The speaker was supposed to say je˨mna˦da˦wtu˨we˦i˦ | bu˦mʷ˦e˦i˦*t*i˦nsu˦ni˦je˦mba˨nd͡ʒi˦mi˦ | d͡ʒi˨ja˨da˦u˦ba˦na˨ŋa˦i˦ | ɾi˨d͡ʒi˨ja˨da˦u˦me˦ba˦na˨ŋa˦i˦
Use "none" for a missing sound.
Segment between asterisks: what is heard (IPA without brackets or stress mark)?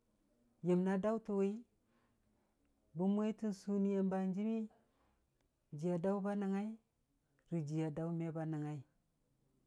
t